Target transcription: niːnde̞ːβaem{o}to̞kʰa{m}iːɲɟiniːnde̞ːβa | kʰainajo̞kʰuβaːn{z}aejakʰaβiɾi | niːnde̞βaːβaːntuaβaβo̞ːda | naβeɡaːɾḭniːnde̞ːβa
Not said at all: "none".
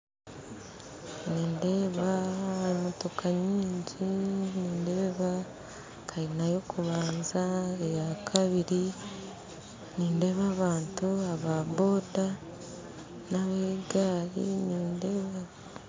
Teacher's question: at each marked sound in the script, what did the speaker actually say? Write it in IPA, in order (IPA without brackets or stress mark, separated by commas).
o, ɲ, z